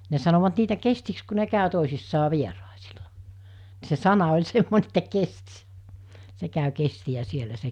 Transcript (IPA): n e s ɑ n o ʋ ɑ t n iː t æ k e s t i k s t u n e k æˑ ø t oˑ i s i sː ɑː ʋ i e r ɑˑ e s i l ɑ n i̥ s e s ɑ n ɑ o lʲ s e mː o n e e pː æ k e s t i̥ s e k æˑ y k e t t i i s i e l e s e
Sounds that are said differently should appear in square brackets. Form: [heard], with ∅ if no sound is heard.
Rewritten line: n e s ɑ n o ʋ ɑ t n iː t æ k e s t i k s [k] u n e k æˑ ø t oˑ i s i sː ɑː ʋ i e r ɑˑ e s i l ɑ n i̥ s e s ɑ n ɑ o lʲ s e mː o n e e [tː] æ k e s t i̥ s e k æˑ y k e [s] t i [æ] s i e l [æ] s e